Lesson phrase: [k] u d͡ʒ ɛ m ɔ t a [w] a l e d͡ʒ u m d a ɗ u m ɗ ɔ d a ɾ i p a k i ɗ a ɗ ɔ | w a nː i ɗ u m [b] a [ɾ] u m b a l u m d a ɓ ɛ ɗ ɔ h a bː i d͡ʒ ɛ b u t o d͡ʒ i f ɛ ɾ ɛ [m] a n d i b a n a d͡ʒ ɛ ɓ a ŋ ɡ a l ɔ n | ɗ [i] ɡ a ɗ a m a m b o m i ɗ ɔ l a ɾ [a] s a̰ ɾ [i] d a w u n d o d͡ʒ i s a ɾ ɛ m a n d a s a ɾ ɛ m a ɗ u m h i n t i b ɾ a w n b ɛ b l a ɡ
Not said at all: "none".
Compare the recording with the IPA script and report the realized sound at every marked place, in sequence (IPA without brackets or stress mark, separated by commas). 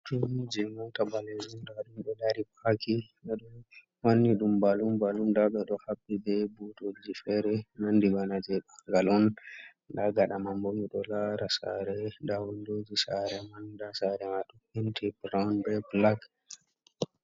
t, b, b, l, n, a, a, ɛ